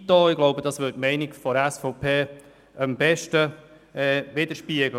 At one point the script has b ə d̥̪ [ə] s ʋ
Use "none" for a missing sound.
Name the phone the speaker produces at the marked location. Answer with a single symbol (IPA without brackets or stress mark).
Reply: ɑ